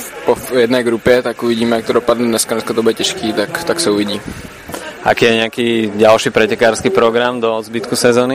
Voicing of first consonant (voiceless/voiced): voiceless